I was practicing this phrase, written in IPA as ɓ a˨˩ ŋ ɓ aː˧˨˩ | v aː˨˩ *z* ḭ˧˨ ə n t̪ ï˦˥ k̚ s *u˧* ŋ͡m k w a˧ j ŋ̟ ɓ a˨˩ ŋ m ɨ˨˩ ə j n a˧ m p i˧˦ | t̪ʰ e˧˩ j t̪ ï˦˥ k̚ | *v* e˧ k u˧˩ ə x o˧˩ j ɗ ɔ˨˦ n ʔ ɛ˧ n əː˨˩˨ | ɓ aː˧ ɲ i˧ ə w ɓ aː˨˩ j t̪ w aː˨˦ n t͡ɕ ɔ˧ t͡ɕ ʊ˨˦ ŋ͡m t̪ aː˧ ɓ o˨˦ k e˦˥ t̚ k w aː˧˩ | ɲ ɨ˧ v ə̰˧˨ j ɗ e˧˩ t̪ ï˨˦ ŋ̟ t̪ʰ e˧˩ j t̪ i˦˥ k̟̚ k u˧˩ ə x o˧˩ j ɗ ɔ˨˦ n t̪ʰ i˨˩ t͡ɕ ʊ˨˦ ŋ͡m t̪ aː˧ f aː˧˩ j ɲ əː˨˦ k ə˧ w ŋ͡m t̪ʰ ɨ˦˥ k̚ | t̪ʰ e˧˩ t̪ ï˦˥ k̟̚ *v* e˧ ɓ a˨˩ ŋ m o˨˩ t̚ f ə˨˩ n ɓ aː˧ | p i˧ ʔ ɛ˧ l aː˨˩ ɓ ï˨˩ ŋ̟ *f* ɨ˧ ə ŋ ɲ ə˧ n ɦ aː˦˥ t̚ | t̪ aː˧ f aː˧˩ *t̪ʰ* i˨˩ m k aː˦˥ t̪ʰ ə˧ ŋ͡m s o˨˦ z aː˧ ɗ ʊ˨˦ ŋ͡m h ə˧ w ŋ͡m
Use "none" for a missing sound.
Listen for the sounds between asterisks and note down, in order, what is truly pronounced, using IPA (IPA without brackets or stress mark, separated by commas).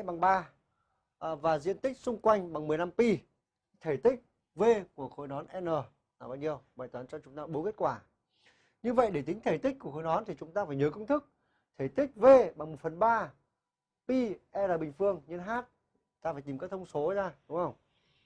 z, ʊ˧, v, v, f, t̪